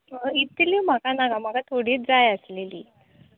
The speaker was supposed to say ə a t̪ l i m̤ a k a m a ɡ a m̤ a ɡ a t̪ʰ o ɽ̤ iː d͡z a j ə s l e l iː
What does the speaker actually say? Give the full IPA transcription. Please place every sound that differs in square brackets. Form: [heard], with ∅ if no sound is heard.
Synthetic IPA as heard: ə [i] t̪ l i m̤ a k a [n] a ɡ a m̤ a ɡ a t̪ʰ o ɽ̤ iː d͡z a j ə s l e l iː